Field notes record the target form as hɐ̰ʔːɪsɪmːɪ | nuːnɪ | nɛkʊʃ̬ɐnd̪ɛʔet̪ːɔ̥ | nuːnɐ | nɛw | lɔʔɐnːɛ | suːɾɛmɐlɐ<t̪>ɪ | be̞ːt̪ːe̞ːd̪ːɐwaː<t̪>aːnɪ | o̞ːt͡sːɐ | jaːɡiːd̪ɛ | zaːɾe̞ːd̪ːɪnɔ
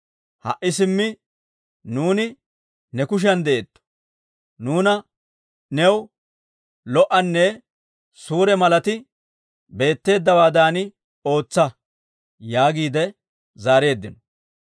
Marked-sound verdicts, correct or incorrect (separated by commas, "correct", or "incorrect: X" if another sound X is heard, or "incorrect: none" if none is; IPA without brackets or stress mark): correct, incorrect: d̪